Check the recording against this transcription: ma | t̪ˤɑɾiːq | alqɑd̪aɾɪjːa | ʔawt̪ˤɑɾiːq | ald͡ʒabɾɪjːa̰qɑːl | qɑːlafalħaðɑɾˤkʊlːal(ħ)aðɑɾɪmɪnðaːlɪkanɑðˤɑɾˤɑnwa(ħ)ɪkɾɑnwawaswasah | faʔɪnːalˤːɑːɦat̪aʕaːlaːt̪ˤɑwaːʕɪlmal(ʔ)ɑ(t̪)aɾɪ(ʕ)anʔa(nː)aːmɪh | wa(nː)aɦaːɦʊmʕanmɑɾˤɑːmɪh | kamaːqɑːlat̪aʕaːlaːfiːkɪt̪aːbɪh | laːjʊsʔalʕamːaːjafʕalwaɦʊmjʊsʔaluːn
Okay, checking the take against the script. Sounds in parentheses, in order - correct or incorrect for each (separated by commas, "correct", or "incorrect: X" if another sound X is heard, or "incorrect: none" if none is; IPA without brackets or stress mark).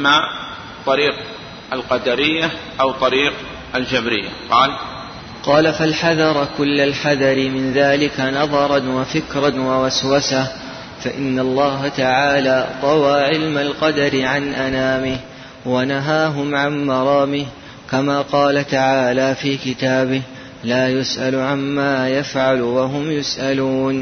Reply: correct, incorrect: f, incorrect: q, incorrect: d̪, correct, incorrect: n, incorrect: n